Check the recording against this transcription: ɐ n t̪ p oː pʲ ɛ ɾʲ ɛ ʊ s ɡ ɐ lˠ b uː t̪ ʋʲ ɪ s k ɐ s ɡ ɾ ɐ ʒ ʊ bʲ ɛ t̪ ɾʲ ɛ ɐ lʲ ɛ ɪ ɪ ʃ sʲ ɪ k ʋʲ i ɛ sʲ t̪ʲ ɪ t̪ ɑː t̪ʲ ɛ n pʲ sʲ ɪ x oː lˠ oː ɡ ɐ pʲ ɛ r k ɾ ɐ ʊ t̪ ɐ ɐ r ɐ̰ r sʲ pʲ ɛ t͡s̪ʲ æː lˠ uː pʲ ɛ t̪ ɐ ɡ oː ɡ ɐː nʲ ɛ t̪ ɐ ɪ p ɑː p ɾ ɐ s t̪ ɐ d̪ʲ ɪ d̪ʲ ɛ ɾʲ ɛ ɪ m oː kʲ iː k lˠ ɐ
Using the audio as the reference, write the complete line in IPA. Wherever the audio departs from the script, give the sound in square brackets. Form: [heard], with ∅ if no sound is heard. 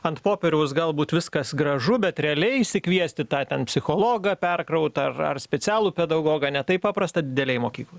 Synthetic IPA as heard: ɐ n t̪ p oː pʲ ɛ ɾʲ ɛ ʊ s ɡ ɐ lˠ b uː t̪ ʋʲ ɪ s k ɐ s ɡ ɾ ɐ ʒ ʊ bʲ ɛ t̪ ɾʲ ɛ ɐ lʲ ɛ ɪ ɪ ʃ sʲ ɪ k ʋʲ i ɛ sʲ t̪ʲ ɪ t̪ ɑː t̪ʲ ɛ n pʲ sʲ ɪ x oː lˠ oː ɡ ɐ pʲ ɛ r k ɾ ɐ ʊ t̪ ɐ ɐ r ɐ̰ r sʲ pʲ ɛ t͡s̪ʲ æː lˠ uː pʲ ɛ [d̪] ɐ ɡ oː ɡ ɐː nʲ ɛ t̪ ɐ ɪ p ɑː p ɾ ɐ s t̪ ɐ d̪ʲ ɪ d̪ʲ ɛ [lʲ] ɛ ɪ m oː kʲ iː k lˠ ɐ

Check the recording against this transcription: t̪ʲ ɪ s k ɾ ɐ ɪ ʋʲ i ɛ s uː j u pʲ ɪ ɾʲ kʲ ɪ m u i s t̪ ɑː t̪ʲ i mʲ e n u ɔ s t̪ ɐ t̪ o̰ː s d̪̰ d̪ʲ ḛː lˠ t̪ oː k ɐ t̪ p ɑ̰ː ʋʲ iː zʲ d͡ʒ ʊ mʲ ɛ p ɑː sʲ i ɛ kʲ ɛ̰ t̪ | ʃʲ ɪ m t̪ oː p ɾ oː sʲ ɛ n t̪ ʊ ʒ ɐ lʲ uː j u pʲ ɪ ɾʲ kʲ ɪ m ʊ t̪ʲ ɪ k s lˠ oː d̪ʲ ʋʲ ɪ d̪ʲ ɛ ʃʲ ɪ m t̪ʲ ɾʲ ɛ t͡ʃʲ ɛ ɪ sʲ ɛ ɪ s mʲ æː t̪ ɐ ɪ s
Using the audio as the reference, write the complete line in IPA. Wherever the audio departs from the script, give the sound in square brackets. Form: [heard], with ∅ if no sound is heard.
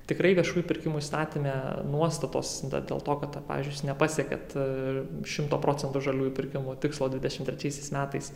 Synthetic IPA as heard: t̪ʲ ɪ [∅] k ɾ ɐ ɪ ʋʲ i ɛ [ʃ] uː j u pʲ ɪ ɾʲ kʲ ɪ m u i s t̪ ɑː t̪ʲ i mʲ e n u ɔ s t̪ ɐ t̪ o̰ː s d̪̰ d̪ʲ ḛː lˠ t̪ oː k ɐ t̪ p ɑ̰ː ʋʲ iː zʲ d͡ʒ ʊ [nʲ] ɛ p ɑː sʲ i ɛ kʲ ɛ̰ t̪ | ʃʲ ɪ m t̪ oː p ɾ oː [t͡sʲ] ɛ n t̪ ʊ ʒ ɐ lʲ uː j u pʲ ɪ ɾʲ kʲ ɪ m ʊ t̪ʲ ɪ k s lˠ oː d̪ʲ ʋʲ ɪ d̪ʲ ɛ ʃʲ ɪ m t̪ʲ ɾʲ ɛ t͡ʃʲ ɛ ɪ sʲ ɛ ɪ s mʲ æː t̪ ɐ ɪ s

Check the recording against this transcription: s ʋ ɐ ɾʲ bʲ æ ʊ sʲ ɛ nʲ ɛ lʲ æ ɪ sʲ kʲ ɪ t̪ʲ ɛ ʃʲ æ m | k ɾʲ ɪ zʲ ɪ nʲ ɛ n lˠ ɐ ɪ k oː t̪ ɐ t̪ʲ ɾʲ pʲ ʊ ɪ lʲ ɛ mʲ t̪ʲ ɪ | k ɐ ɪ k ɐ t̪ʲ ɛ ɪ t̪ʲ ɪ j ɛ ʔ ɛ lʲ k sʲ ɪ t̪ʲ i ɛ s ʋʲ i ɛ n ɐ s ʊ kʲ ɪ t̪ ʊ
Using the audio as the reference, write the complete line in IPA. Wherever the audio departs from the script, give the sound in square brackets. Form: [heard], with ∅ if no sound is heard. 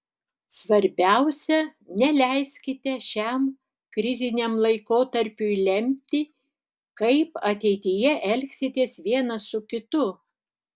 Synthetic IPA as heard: s ʋ ɐ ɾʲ bʲ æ ʊ sʲ ɛ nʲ ɛ lʲ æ ɪ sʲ kʲ ɪ t̪ʲ ɛ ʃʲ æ m | k ɾʲ ɪ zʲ ɪ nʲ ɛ [m] lˠ ɐ ɪ k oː t̪ ɐ [∅] ɾʲ pʲ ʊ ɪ lʲ ɛ mʲ t̪ʲ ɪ | k ɐ ɪ [p] ɐ t̪ʲ ɛ ɪ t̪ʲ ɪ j ɛ ʔ ɛ lʲ k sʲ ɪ t̪ʲ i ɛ s ʋʲ i ɛ n ɐ s ʊ kʲ ɪ t̪ ʊ

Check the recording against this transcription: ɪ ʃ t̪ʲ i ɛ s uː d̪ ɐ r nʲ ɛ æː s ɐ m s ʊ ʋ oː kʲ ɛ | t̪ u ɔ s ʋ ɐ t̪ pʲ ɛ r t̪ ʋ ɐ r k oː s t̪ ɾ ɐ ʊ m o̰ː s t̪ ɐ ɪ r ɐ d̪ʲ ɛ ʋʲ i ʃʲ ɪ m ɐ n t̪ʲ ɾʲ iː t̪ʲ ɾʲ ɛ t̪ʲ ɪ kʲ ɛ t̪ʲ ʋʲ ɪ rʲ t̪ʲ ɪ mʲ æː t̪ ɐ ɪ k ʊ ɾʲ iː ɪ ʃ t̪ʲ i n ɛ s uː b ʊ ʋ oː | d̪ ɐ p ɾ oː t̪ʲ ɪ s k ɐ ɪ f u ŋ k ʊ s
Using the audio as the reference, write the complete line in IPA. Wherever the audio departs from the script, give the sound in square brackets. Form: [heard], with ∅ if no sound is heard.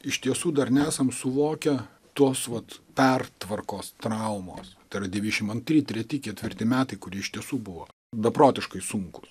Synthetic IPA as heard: ɪ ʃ t̪ʲ i ɛ s uː d̪ ɐ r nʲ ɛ æː s ɐ m s ʊ ʋ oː kʲ ɛ | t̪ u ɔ s ʋ ɐ t̪ pʲ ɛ r t̪ ʋ ɐ r k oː s t̪ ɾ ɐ ʊ m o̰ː s t̪ ɐ ɪ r ɐ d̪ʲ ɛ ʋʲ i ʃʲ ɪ m ɐ n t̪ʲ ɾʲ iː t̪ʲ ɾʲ ɛ t̪ʲ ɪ kʲ ɛ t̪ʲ ʋʲ ɪ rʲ t̪ʲ ɪ mʲ æː t̪ ɐ ɪ k ʊ ɾʲ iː ɪ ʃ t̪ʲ i [∅] ɛ s uː b ʊ ʋ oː | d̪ ɐ p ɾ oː t̪ʲ ɪ [ʃ] k ɐ ɪ [s] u ŋ k ʊ s

